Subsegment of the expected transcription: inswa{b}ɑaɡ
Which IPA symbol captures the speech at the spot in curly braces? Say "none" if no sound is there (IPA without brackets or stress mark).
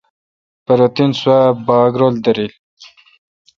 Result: b